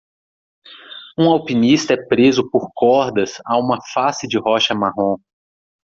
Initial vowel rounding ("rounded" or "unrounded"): rounded